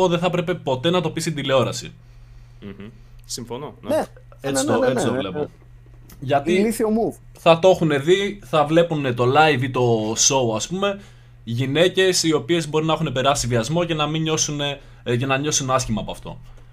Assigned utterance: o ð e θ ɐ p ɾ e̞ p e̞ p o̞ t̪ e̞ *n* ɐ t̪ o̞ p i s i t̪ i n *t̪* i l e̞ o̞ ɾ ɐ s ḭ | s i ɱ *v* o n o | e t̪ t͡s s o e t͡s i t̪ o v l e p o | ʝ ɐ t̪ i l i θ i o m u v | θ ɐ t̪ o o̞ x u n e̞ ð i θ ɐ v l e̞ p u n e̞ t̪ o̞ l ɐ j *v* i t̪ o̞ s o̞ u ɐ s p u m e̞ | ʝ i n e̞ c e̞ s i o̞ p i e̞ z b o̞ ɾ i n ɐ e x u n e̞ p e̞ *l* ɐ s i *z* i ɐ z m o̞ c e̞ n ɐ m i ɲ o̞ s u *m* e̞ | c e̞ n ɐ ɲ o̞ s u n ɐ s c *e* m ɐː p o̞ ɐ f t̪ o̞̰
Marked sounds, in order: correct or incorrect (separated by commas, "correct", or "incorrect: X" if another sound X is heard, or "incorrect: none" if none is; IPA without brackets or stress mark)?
correct, incorrect: d̪, incorrect: f, correct, incorrect: ɾ, incorrect: v, incorrect: n, incorrect: i